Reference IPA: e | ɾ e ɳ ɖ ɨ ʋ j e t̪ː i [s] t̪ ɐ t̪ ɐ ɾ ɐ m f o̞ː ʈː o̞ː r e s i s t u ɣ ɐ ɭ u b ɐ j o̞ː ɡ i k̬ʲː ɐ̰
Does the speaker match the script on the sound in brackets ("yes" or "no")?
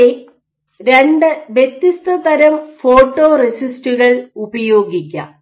yes